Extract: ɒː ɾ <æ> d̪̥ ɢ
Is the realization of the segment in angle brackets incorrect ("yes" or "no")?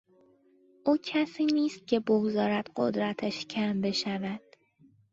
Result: no